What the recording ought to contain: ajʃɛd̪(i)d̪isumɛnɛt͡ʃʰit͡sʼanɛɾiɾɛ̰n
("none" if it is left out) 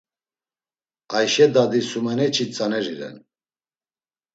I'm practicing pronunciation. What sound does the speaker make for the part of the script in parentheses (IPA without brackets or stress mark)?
a